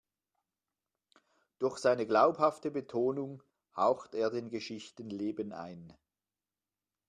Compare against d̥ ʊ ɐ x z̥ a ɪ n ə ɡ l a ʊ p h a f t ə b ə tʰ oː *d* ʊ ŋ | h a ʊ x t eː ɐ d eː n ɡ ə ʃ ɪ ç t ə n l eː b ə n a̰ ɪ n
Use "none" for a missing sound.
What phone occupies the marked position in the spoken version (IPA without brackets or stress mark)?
n